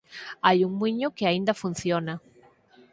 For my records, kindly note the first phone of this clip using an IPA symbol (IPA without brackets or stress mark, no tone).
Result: a